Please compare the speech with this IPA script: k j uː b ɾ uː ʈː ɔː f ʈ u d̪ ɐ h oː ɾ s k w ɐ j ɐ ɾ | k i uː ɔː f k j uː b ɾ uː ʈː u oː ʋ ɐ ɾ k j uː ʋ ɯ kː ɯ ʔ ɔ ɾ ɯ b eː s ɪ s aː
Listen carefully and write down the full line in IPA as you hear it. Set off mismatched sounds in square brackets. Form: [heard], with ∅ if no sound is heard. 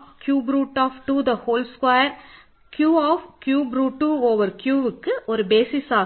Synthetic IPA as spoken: k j uː b ɾ uː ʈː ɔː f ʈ u d̪ ɐ h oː [l] s k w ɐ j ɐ ɾ | k [j] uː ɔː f k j uː b ɾ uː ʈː u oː ʋ ɐ ɾ k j uː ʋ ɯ kː ɯ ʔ ɔ ɾ ɯ b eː s ɪ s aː